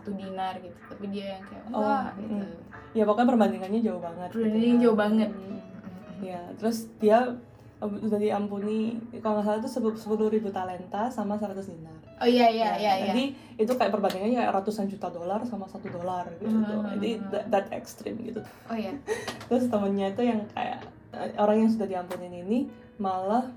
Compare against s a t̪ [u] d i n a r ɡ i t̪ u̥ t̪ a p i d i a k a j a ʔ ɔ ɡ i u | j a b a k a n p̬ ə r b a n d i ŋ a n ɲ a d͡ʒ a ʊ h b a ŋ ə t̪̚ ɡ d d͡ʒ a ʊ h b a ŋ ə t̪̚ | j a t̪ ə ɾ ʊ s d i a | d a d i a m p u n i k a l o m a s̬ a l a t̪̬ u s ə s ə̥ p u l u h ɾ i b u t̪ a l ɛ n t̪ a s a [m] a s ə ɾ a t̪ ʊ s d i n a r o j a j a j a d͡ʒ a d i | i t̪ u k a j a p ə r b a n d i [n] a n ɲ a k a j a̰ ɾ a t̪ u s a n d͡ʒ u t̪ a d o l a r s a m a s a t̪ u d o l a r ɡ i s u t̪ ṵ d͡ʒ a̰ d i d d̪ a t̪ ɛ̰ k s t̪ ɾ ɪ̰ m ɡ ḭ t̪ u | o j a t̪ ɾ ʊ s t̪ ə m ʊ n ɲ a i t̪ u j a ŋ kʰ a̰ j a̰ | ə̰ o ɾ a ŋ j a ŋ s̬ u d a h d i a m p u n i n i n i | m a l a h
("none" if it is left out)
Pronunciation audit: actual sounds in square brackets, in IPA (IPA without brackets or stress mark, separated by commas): u, m, ŋ